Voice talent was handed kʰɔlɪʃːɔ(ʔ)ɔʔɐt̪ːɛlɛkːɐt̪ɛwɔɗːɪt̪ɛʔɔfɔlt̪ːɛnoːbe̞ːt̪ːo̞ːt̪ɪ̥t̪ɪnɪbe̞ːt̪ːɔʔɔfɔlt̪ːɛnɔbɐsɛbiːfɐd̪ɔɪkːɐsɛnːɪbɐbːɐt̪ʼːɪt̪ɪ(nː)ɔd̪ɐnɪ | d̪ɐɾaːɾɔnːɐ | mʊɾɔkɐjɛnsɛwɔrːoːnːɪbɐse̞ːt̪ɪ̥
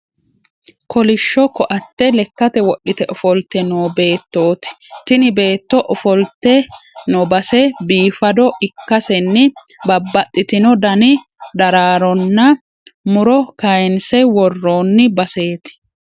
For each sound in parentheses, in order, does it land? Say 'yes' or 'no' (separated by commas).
no, no